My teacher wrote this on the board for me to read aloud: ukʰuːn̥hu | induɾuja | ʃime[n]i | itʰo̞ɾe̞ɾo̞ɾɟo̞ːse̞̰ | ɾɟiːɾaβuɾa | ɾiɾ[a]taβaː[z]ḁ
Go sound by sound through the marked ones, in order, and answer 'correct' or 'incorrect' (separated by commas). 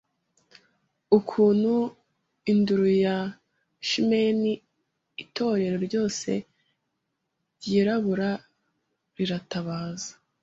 correct, correct, correct